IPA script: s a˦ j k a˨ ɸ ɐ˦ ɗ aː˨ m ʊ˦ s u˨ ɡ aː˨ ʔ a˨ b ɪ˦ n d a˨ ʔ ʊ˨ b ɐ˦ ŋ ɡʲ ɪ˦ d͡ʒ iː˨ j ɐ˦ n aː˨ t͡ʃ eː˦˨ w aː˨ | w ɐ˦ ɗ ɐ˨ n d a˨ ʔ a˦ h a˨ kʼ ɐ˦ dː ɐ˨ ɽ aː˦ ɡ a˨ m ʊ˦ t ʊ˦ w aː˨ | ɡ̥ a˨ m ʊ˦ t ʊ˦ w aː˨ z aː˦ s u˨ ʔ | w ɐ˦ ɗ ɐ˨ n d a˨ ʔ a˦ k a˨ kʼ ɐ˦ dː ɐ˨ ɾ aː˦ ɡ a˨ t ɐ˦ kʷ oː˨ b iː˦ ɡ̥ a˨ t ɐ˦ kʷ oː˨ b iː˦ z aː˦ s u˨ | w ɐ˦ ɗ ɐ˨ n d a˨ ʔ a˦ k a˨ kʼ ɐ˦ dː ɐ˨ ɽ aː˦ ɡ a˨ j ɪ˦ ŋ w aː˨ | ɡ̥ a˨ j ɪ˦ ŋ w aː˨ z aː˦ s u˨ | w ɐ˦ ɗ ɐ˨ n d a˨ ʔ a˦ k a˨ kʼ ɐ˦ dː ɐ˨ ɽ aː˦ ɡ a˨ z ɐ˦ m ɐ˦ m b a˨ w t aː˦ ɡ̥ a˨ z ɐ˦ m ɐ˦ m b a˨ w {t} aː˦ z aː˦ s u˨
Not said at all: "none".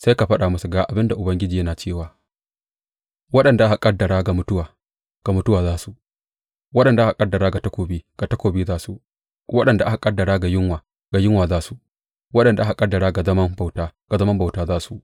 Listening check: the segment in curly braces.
t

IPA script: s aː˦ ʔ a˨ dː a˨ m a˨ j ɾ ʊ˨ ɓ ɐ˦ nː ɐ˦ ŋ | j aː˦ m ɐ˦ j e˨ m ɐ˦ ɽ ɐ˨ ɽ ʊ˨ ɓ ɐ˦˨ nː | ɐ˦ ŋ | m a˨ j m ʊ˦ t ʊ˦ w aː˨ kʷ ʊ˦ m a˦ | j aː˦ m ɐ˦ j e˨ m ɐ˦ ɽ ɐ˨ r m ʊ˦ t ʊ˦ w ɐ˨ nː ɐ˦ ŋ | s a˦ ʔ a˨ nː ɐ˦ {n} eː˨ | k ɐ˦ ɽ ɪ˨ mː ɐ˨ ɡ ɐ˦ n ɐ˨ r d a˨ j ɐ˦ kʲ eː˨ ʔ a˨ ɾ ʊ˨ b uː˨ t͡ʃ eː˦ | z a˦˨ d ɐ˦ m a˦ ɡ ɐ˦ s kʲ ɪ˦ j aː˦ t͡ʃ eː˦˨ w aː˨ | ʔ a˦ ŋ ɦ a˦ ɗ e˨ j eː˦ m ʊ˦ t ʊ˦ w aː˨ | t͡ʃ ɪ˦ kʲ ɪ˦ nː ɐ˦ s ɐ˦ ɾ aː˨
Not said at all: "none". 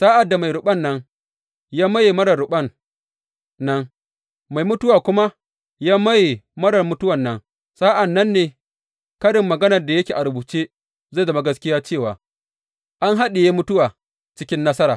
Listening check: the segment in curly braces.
nː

